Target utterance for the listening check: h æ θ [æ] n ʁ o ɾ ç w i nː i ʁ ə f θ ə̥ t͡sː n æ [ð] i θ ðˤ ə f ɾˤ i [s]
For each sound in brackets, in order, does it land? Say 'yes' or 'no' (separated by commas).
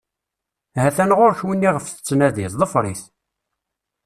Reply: yes, yes, no